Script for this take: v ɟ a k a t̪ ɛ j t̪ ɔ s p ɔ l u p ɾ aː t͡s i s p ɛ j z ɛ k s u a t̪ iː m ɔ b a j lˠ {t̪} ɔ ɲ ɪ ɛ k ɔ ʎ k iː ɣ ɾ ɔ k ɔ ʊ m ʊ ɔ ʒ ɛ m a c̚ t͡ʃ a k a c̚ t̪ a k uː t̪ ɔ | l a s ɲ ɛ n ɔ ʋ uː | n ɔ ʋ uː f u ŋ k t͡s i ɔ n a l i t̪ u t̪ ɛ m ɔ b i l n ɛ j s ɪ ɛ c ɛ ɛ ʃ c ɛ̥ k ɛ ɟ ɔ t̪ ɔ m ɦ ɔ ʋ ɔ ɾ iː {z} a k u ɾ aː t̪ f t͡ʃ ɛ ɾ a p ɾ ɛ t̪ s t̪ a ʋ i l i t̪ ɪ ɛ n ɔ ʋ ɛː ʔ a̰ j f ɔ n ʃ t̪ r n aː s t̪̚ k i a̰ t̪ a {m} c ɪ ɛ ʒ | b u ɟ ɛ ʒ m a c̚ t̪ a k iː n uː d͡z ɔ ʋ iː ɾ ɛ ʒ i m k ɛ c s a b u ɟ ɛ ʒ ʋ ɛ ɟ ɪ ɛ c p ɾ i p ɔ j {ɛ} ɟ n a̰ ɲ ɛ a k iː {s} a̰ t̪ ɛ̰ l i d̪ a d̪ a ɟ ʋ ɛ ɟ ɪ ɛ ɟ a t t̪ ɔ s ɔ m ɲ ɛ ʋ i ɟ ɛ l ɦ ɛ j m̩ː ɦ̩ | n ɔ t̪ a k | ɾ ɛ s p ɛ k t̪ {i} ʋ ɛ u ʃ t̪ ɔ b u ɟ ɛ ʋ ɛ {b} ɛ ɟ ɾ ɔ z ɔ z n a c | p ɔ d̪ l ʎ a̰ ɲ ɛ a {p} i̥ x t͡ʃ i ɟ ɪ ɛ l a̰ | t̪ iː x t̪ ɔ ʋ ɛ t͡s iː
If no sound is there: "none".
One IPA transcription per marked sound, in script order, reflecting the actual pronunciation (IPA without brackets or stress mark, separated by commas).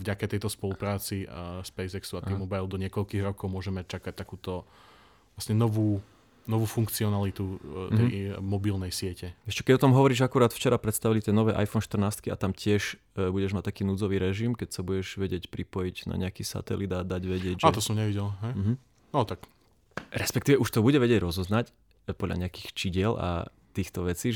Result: d̪, ʒ, m, i, s, iː, ɟ, k